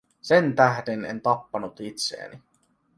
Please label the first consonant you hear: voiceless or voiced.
voiceless